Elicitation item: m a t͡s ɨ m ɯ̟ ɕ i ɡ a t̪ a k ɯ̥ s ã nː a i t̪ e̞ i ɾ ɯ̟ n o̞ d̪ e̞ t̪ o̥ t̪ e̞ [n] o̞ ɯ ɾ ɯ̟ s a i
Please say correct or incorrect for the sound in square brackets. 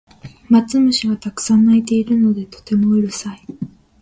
incorrect